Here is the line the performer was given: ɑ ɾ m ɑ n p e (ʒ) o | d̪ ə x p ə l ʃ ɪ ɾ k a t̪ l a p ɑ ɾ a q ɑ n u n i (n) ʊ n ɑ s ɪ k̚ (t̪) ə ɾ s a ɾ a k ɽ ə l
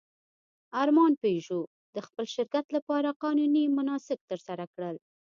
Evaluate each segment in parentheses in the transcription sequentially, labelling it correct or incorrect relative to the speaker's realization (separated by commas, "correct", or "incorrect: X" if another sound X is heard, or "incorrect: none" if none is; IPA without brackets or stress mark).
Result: correct, incorrect: m, correct